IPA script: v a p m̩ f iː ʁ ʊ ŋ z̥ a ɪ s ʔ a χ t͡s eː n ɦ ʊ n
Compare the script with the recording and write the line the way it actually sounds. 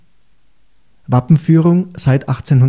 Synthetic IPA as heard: v a p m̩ f yː ʁ ʊ ŋ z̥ a ɪ t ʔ a χ t͡s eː n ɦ ʊ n

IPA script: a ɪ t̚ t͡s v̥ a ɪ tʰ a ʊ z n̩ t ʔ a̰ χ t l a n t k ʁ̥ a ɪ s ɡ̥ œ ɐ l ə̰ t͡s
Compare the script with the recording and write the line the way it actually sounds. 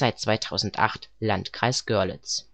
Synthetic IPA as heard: a ɪ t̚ t͡s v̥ a ɪ tʰ a ʊ z n̩ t ʔ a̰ χ t l a n t k ʁ̥ a ɪ s ɡ̥ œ ɐ l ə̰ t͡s

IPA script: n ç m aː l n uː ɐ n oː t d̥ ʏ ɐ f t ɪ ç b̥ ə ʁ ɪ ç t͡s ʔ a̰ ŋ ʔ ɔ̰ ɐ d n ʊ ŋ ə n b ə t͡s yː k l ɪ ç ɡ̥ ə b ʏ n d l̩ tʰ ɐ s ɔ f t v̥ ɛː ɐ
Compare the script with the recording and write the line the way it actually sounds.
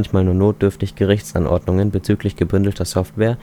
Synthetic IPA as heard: n ç m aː l n uː ɐ n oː t d̥ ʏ ɐ f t ɪ ç ɡ̥ ə ʁ ɪ ç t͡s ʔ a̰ n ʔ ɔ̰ ɐ d n ʊ ŋ ə n b ə t͡s yː k l ɪ ç ɡ̥ ə b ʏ n d l̩ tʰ ɐ s ɔ f t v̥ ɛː ɐ

